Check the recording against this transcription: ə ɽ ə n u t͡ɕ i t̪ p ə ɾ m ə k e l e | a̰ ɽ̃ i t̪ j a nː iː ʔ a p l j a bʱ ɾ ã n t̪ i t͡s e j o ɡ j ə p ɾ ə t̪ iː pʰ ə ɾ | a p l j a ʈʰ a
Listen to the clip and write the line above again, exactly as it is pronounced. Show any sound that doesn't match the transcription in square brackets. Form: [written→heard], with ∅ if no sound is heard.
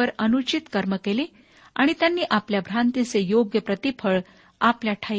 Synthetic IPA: ə [ɽ→ɾ] ə n u t͡ɕ i t̪ [p→k] ə ɾ m ə k e l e | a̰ ɽ̃ i t̪ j a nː iː ʔ a p l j a bʱ ɾ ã n t̪ i t͡s e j o ɡ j ə p ɾ ə t̪ [iː→i] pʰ ə [ɾ→ɭ] | a p l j a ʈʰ a